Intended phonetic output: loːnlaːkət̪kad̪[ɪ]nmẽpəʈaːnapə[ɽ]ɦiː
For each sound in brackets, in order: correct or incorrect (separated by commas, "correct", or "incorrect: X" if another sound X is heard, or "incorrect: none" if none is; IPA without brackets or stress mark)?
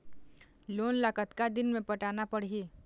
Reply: correct, correct